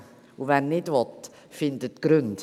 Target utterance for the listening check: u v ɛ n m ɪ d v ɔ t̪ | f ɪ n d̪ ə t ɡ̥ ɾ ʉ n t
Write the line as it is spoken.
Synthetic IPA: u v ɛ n n ɪ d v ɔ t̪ | f ɪ n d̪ ə t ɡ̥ ɾ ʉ n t